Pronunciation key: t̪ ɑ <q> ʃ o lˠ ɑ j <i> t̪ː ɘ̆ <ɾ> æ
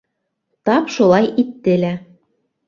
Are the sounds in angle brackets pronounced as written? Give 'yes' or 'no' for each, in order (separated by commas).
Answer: no, yes, no